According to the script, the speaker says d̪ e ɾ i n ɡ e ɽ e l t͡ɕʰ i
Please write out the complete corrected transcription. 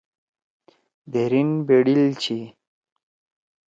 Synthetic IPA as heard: d̪ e ɾ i n b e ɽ i l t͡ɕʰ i